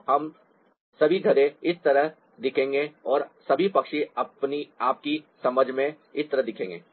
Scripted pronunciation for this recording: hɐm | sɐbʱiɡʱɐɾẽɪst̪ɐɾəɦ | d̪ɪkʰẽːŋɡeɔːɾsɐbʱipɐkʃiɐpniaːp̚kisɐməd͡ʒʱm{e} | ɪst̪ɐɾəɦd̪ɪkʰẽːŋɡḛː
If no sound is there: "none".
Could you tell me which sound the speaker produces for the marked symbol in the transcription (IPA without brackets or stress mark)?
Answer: ẽ